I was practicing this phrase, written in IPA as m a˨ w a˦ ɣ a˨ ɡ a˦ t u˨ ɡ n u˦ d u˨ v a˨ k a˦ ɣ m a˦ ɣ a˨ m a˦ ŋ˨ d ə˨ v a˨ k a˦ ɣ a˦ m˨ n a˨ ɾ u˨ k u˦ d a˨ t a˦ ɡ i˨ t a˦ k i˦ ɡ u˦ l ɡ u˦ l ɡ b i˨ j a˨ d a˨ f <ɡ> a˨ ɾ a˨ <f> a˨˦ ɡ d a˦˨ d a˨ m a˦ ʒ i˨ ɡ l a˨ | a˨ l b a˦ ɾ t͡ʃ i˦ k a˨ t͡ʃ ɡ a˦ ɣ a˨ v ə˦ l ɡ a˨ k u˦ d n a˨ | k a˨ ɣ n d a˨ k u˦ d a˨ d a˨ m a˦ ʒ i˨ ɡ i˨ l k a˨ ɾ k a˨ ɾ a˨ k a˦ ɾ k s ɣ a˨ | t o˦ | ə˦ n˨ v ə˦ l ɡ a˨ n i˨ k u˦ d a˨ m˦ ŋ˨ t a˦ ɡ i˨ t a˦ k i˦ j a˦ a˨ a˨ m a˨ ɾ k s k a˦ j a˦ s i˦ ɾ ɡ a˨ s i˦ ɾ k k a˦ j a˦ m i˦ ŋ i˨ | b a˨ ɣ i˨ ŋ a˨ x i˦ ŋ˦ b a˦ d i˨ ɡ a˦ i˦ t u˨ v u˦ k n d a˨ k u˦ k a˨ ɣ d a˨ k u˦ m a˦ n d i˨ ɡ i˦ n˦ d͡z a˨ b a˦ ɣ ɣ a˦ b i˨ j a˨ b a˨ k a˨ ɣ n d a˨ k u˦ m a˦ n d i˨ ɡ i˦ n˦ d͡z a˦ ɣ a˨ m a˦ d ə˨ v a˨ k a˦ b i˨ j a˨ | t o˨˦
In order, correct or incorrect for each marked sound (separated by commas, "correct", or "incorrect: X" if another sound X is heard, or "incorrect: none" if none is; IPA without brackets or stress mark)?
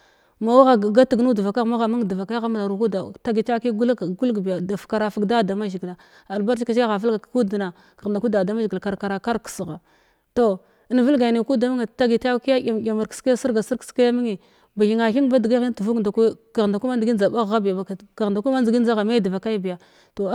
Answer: incorrect: k, correct